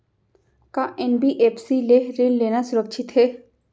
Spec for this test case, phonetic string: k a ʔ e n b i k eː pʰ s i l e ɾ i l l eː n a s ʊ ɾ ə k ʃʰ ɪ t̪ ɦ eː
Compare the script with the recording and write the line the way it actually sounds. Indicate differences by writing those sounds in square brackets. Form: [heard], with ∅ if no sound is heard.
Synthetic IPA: k a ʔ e n b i [ʔ] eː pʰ s i l e ɾ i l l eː n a s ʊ ɾ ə k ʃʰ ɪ t̪ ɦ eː